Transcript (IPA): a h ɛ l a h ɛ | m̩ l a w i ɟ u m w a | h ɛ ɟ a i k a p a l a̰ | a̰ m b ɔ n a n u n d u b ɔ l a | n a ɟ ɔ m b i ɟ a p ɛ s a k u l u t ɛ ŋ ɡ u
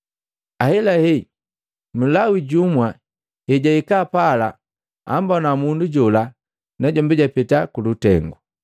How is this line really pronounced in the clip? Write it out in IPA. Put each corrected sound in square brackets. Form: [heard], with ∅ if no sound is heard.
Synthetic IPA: a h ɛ l a h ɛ | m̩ l a w i ɟ u m w a | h ɛ ɟ a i k a p a l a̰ | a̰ m b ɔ n a [m] u n d u [ɟ] ɔ l a | n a ɟ ɔ m b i ɟ a p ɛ [t] a k u l u t ɛ ŋ ɡ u